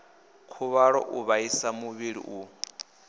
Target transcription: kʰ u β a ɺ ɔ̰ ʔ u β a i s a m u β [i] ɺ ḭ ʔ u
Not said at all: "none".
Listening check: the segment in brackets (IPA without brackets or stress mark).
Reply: i